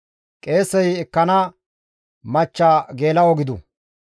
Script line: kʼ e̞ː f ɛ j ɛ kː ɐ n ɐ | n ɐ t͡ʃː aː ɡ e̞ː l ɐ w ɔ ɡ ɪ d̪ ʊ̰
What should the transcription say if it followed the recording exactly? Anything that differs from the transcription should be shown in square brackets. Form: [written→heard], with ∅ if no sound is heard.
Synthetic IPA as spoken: kʼ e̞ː [f→s] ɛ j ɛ kː ɐ n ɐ | [n→m] ɐ t͡ʃː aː ɡ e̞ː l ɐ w ɔ ɡ ɪ d̪ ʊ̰